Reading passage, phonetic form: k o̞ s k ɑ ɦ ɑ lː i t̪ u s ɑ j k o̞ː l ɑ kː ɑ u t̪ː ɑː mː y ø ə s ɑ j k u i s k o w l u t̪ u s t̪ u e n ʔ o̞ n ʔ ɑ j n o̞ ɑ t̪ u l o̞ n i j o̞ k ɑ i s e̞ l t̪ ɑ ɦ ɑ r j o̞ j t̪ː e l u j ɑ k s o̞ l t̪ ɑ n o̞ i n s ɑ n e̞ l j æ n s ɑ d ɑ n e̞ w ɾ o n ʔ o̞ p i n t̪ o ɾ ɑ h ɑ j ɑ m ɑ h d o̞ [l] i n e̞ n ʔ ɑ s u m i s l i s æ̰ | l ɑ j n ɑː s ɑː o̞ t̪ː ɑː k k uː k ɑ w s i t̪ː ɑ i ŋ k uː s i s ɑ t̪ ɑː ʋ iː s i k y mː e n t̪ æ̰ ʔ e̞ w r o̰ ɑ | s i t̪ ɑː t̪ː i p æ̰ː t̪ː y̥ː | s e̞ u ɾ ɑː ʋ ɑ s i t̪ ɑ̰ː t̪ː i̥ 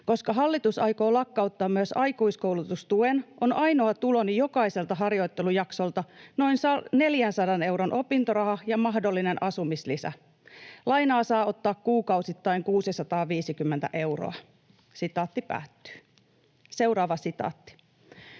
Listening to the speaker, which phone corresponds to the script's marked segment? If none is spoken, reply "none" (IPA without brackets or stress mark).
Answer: lː